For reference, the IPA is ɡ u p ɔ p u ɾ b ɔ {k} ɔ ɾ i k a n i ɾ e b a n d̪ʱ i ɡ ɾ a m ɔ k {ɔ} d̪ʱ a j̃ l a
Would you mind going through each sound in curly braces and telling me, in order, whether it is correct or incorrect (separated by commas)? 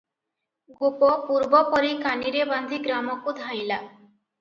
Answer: incorrect, incorrect